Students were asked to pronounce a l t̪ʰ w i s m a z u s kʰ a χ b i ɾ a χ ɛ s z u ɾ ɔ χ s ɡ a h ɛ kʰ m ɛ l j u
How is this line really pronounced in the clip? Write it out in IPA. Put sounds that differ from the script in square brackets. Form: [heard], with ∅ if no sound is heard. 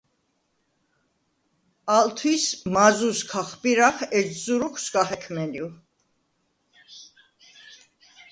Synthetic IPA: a l t̪ʰ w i s m a z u s kʰ a χ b i ɾ a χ ɛ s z u ɾ [u] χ s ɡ a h ɛ kʰ m ɛ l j u